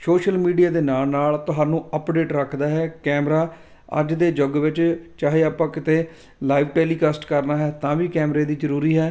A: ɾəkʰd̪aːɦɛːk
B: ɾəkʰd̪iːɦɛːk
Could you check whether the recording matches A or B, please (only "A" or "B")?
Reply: A